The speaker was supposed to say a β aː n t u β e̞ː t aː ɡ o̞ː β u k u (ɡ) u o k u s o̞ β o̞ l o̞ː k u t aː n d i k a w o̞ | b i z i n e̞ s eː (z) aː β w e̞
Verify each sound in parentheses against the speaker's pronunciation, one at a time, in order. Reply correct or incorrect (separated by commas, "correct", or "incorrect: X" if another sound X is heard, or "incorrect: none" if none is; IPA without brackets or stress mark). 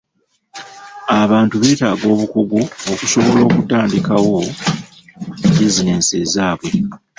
correct, correct